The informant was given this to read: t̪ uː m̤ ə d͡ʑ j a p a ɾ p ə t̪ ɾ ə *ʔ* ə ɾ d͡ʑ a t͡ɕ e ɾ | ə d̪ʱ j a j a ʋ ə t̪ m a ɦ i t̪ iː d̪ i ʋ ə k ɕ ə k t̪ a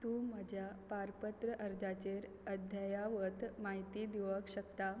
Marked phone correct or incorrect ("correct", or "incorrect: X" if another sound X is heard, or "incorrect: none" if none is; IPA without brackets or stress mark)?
correct